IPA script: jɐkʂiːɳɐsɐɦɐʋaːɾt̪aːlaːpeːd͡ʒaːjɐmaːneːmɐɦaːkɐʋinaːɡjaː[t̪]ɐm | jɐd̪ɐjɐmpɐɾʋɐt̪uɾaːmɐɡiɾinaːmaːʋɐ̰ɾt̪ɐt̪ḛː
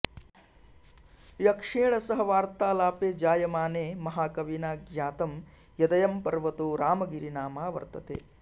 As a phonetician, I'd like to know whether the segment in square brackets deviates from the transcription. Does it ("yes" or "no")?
no